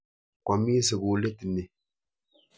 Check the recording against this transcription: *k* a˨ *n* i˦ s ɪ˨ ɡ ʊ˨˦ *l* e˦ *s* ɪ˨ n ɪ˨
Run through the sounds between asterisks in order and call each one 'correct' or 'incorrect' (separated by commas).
correct, incorrect, correct, incorrect